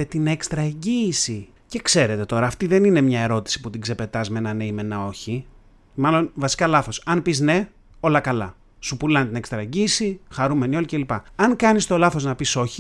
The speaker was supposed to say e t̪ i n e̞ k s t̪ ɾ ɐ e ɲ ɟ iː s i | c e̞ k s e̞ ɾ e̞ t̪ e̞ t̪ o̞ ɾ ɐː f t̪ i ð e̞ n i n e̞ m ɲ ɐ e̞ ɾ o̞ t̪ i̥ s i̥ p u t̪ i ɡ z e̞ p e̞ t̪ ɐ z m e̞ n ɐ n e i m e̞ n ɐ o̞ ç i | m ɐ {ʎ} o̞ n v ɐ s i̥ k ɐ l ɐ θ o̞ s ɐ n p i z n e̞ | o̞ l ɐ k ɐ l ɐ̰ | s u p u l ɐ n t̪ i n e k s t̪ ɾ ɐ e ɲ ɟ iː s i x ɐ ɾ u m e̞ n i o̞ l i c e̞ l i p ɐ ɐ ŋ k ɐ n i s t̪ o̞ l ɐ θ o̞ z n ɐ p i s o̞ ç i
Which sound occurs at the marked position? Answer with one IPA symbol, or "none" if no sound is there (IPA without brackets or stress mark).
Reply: l